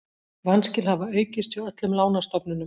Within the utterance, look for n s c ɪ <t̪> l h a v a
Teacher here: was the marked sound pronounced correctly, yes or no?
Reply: no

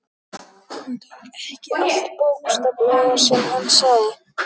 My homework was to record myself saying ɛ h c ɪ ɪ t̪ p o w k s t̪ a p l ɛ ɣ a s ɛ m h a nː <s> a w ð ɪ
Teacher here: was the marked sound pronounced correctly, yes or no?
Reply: yes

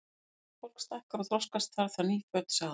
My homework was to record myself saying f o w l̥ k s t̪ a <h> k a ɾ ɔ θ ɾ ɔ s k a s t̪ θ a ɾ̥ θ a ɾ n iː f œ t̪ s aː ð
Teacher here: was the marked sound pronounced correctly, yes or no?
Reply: yes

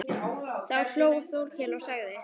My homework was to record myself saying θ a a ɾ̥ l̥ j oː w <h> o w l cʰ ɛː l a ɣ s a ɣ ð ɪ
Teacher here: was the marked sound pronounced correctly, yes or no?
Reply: no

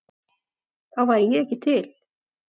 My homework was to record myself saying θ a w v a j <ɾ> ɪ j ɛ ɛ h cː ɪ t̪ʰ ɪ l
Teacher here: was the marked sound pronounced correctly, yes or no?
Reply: yes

